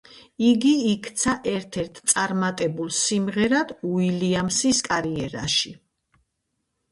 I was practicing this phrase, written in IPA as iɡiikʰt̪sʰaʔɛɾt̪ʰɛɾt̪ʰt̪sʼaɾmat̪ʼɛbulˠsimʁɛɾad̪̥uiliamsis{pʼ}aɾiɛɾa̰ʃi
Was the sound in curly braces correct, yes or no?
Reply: no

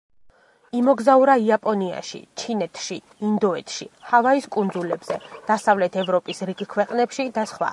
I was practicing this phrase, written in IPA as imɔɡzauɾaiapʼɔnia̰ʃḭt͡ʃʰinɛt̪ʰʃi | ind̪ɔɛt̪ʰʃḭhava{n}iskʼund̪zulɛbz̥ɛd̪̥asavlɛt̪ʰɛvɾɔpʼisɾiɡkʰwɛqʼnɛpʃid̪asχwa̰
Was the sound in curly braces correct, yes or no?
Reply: no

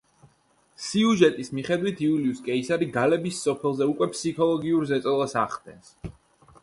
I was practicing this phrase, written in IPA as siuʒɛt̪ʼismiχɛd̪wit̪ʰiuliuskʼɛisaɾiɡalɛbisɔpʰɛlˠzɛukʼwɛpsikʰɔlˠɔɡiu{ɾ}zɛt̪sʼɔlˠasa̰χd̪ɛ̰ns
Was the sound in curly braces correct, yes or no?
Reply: yes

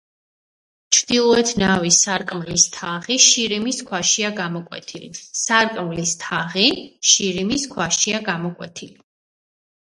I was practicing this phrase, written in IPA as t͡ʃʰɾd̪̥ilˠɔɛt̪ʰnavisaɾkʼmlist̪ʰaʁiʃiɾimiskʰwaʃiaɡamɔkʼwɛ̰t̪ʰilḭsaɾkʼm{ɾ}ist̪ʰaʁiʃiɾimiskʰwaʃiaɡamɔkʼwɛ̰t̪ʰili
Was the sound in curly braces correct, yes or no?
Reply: no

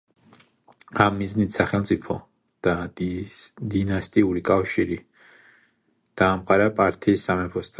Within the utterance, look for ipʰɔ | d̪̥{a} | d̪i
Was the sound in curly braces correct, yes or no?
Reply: yes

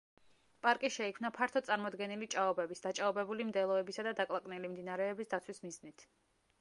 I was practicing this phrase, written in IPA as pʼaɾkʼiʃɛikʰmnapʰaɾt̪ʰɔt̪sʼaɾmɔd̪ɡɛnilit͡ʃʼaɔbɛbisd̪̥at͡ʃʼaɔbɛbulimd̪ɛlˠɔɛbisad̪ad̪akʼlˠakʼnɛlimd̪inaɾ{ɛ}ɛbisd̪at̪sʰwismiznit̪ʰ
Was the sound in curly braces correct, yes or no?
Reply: yes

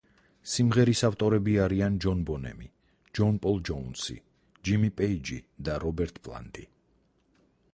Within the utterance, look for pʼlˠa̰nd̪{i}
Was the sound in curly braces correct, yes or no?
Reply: yes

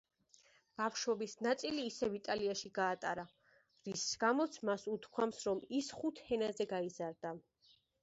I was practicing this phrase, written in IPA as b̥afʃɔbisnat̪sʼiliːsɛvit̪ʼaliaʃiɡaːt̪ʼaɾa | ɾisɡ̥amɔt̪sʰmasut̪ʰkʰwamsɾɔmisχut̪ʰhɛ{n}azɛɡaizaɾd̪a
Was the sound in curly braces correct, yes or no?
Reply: yes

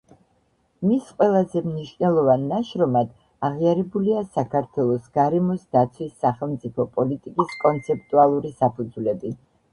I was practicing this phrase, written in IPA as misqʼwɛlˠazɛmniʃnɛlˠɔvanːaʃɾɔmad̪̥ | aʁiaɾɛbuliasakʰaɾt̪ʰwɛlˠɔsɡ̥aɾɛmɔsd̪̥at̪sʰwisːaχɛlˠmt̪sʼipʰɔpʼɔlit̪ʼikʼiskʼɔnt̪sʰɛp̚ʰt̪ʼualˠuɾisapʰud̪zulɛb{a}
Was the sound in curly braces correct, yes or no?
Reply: no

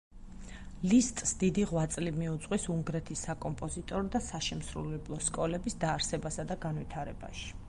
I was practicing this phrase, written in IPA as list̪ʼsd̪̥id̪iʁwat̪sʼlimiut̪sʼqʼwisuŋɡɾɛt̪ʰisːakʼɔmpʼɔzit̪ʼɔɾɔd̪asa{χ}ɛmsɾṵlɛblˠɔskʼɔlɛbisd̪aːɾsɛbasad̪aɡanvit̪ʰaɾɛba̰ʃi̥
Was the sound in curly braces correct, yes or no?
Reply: no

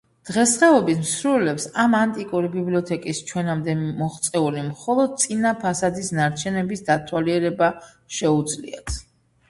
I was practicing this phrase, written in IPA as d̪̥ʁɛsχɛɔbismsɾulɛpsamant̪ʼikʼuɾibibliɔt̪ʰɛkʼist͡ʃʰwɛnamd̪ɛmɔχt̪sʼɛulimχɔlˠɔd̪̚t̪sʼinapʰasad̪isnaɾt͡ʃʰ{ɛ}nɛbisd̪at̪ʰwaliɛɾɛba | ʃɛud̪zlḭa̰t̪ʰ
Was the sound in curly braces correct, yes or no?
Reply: yes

